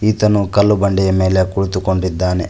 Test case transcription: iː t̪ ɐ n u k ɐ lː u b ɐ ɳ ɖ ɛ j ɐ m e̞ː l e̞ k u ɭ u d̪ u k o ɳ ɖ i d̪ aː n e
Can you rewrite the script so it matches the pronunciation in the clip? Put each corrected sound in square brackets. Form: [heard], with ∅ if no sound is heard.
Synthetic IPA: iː t̪ ɐ n u k ɐ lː u b ɐ ɳ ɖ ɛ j ɐ m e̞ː l e̞ k u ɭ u [t̪] u k o ɳ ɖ i [d̪ː] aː n e